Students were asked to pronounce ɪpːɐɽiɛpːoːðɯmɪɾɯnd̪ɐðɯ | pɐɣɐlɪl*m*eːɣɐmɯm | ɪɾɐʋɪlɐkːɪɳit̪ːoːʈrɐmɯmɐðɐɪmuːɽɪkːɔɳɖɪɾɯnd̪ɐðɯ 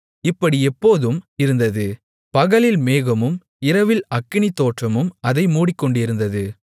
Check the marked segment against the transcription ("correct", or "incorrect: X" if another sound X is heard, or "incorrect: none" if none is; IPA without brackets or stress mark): correct